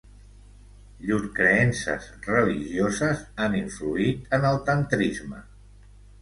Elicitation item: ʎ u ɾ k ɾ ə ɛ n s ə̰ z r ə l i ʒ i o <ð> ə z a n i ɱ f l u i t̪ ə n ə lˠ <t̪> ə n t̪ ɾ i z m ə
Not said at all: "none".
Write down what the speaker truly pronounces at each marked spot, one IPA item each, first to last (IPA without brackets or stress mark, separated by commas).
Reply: z, t̪